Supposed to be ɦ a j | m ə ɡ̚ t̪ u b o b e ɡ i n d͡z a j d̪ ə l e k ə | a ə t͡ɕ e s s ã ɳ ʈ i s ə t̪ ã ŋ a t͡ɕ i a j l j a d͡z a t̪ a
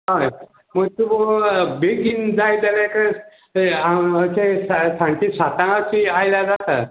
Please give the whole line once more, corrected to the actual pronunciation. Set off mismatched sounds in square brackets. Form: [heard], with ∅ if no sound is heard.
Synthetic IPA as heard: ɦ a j | m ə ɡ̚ t̪ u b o b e ɡ i n d͡z a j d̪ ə l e k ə | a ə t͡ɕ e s s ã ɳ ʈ i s [a] t̪ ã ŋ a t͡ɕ i a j l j a d͡z a t̪ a